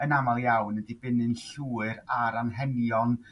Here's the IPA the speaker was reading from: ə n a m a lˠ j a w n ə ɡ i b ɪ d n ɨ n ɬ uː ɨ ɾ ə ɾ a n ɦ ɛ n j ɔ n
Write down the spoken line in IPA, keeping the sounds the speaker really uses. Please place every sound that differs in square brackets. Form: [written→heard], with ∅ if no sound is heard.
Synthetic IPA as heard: ə n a m a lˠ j a w n ə [ɡ→d] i b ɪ [d→∅] n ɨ n ɬ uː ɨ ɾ [ə→a] ɾ a n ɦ ɛ n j ɔ n